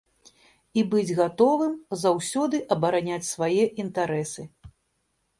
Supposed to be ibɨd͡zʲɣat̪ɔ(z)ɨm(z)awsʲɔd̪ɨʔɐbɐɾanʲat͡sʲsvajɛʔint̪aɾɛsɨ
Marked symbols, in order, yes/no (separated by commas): no, yes